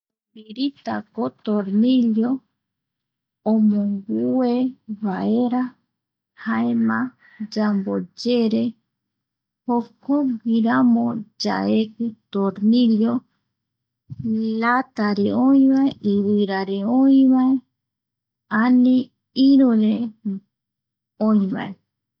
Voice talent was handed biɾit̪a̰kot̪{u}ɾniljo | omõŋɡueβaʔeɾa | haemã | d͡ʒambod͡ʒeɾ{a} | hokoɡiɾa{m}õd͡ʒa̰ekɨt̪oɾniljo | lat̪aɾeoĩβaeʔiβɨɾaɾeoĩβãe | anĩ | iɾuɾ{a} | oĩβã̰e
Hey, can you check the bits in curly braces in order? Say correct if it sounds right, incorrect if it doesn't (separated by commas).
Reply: incorrect, incorrect, correct, incorrect